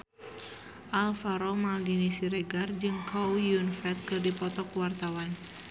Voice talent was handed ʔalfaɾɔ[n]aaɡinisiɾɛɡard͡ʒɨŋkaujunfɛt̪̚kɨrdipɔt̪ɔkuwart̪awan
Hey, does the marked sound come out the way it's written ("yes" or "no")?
no